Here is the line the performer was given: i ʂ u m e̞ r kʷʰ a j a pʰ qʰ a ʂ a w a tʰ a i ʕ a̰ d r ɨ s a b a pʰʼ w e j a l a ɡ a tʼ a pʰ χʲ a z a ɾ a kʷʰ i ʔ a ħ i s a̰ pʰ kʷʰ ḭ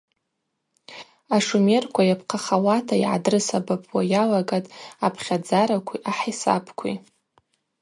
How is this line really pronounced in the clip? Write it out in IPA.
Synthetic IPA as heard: a ʂ u m e̞ r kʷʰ a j a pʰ qʰ a χ a w a tʰ a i ʕ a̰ d r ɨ s a b a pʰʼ w a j a l a ɡ a tʼ a pʰ χʲ a d͡z a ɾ a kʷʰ i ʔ a ħ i s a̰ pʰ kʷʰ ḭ